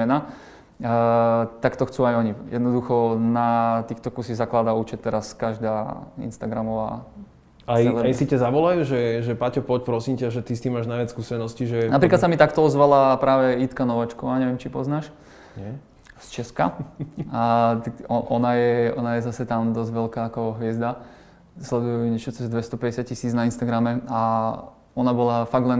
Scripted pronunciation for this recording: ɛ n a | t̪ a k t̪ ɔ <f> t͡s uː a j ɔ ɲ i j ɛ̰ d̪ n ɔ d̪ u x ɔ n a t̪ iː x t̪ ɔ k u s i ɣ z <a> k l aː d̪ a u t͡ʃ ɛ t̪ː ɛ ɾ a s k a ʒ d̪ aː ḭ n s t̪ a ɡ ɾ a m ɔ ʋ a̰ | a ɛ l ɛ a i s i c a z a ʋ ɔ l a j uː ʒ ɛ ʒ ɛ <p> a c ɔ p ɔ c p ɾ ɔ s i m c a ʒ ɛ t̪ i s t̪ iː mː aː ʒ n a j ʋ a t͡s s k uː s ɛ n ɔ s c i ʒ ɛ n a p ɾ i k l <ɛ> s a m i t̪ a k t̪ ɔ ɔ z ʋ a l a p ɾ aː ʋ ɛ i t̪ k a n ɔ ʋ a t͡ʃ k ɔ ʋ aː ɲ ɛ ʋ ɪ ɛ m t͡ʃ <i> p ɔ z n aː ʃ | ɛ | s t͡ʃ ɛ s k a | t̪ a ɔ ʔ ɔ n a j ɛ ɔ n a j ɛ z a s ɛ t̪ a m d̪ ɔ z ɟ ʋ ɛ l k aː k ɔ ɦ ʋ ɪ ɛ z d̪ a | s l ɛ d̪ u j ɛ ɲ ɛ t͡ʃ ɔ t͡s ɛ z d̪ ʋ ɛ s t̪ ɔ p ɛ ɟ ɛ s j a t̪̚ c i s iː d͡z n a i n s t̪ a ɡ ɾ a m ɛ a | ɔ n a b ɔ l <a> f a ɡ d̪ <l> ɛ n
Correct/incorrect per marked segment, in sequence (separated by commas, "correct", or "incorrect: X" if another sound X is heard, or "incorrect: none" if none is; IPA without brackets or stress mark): incorrect: x, correct, correct, incorrect: a, correct, correct, correct